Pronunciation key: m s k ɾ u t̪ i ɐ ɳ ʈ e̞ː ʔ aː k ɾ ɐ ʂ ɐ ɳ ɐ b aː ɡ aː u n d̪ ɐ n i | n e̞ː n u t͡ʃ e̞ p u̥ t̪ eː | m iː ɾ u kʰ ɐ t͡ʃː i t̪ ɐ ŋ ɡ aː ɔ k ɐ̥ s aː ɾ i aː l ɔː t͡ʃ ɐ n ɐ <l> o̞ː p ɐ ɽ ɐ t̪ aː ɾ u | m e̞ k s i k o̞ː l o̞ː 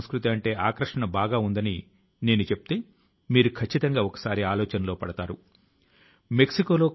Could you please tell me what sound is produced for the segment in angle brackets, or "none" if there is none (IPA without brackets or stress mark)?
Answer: l